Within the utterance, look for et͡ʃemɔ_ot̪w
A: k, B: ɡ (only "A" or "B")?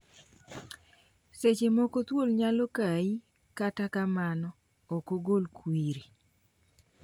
A